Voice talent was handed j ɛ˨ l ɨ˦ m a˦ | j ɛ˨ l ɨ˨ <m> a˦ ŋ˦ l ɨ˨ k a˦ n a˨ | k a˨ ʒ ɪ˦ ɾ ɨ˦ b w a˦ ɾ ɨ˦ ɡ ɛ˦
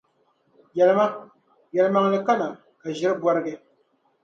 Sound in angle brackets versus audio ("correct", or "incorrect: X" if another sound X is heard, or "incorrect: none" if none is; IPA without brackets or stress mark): correct